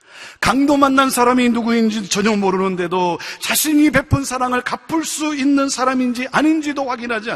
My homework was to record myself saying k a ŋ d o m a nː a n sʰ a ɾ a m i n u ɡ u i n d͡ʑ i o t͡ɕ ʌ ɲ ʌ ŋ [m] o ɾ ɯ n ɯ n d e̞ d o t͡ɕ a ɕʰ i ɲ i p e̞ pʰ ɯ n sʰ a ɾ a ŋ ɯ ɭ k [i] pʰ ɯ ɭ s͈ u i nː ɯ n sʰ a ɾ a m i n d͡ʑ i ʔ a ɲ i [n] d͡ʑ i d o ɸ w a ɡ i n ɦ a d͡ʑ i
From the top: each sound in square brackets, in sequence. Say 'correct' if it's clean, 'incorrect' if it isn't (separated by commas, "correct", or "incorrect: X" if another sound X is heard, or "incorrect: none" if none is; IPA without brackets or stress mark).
correct, incorrect: a, correct